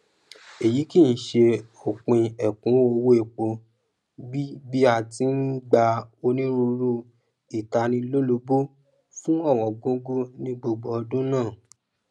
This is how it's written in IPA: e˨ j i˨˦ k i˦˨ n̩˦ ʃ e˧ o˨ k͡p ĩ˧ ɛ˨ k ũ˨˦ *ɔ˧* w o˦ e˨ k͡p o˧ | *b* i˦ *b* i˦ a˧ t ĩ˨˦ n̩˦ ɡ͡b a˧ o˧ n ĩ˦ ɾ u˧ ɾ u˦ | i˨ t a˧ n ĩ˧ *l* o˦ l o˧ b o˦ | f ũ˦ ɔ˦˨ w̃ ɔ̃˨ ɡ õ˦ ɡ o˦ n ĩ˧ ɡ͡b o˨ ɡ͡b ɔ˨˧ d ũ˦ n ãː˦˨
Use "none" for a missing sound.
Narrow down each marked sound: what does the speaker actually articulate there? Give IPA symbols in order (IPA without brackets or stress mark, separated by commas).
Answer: o˧, b, b, l